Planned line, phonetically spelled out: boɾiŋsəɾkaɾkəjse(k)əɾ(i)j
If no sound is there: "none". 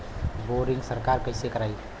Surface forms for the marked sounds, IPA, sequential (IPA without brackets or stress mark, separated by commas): k, a